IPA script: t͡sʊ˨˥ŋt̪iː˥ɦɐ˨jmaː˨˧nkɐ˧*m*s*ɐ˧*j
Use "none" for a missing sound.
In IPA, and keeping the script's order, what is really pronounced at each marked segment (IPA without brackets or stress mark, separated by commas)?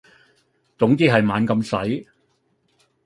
m, ɐ˨˥